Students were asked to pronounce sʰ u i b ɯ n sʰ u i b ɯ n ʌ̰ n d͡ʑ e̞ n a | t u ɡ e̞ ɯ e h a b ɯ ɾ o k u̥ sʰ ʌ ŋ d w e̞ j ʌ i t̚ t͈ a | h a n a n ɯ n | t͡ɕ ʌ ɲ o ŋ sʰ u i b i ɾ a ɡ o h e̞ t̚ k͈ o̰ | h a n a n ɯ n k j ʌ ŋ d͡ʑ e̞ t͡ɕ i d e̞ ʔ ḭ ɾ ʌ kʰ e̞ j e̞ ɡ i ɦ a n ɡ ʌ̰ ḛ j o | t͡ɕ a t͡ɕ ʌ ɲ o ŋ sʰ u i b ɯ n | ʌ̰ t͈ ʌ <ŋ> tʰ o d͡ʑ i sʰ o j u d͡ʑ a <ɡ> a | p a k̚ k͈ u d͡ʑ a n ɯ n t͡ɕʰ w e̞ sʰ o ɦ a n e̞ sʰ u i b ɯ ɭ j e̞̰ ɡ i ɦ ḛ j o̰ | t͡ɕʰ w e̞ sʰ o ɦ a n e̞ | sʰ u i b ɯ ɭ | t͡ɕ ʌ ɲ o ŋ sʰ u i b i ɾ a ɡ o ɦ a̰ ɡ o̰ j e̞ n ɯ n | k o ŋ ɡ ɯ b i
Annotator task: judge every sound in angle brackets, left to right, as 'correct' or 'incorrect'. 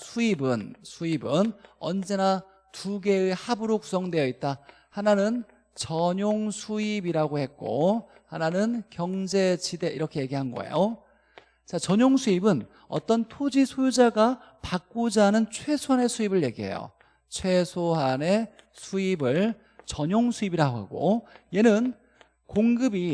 incorrect: n, correct

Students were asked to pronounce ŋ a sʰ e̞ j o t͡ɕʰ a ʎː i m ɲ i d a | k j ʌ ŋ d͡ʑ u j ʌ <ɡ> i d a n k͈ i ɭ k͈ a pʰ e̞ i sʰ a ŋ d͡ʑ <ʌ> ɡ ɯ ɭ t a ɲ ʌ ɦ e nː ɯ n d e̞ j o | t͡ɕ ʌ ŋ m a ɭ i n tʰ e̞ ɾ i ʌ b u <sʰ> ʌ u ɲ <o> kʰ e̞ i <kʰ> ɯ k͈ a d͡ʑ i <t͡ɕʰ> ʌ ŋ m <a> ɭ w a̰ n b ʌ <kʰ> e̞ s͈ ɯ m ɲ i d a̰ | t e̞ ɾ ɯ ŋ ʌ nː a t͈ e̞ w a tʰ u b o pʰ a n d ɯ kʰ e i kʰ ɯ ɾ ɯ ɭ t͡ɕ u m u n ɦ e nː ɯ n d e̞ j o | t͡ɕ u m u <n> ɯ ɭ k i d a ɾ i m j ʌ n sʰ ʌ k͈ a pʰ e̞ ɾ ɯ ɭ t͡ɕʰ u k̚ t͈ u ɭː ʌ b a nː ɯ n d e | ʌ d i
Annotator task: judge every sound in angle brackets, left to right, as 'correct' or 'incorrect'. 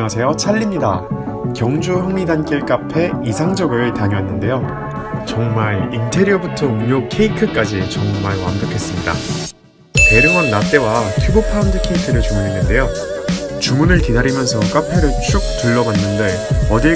incorrect: ŋ, correct, incorrect: tʰ, correct, correct, incorrect: t͡ɕ, correct, correct, correct

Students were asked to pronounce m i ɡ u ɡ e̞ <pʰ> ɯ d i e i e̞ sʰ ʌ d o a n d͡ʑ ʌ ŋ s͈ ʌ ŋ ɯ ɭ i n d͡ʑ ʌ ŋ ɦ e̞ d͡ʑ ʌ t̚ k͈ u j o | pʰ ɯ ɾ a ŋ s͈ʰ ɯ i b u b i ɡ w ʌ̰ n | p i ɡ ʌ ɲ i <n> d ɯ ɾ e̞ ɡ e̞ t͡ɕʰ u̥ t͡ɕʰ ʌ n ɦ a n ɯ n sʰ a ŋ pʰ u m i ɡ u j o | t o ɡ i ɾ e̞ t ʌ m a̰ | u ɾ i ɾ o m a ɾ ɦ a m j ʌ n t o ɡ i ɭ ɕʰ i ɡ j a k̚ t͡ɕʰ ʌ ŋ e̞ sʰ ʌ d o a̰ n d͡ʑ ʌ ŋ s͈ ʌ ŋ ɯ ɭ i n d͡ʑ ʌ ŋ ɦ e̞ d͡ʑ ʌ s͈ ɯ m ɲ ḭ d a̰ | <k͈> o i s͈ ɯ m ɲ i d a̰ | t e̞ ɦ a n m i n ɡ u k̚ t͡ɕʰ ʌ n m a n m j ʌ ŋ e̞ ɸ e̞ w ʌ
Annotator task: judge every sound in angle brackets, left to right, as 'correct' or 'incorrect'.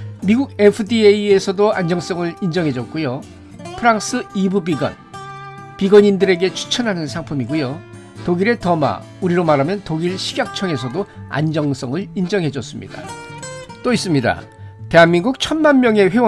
correct, correct, incorrect: t͈

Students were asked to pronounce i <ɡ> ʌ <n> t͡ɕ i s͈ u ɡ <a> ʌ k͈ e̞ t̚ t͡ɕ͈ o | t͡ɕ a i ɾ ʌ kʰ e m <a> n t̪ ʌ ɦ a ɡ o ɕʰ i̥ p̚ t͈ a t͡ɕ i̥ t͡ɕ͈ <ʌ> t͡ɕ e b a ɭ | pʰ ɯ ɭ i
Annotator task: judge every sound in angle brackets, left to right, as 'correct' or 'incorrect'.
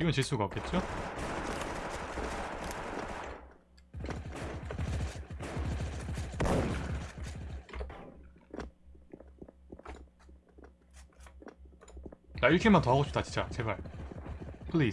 correct, correct, correct, correct, incorrect: a

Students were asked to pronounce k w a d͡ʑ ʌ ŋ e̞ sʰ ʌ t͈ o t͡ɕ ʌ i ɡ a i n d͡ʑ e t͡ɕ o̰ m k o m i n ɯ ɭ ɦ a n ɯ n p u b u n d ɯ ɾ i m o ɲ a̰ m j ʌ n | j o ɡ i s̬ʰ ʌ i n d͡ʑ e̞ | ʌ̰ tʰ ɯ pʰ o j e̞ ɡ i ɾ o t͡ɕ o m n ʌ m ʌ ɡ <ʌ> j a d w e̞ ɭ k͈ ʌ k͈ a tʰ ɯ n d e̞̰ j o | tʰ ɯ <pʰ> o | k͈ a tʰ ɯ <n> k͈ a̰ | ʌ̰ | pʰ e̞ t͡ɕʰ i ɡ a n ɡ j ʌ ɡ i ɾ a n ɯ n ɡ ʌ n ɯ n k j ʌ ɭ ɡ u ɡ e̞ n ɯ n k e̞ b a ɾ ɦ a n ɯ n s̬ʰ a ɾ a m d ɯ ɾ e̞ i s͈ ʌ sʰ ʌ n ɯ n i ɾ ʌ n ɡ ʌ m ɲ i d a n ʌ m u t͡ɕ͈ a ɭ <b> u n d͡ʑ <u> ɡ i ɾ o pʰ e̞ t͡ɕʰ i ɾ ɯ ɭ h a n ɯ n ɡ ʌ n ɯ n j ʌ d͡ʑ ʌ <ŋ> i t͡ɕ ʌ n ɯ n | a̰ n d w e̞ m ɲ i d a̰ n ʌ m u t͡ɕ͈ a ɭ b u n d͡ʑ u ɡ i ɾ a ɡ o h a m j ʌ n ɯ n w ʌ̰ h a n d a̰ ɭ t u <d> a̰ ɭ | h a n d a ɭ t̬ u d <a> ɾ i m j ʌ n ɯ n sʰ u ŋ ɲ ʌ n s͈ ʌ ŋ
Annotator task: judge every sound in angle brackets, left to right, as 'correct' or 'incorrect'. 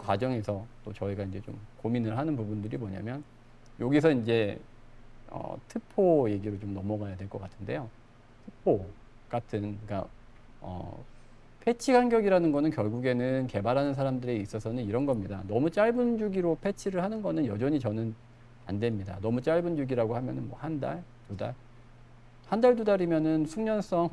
incorrect: a, correct, correct, correct, correct, incorrect: ɲ, correct, correct

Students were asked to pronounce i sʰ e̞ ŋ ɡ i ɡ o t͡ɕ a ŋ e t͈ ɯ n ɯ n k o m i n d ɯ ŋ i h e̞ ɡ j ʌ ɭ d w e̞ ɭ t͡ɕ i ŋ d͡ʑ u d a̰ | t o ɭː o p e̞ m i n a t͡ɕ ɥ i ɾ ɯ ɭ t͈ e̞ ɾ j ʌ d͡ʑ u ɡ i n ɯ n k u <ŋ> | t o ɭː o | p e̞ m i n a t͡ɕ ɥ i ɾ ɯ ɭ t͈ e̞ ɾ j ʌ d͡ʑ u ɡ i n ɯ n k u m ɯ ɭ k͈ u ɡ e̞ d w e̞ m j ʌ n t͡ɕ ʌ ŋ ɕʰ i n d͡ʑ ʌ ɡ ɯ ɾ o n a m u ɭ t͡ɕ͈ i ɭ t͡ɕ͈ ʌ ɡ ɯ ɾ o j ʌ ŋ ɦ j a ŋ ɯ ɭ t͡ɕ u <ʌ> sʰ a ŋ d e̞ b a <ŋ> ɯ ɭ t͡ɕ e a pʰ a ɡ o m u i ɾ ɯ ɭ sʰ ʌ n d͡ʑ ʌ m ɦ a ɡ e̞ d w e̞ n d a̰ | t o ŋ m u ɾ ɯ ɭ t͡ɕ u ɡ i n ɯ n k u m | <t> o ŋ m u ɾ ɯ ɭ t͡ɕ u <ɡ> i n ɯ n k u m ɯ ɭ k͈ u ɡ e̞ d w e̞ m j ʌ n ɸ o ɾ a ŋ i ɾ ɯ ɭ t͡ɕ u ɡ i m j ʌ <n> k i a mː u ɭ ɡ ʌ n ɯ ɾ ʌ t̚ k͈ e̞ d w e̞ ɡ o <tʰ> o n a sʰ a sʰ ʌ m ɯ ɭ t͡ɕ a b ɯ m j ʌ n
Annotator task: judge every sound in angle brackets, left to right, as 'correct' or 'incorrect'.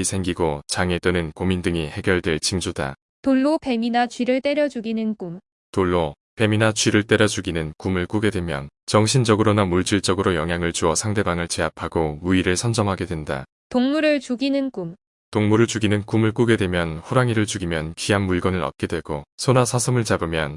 incorrect: m, correct, correct, correct, correct, correct, incorrect: sʰ

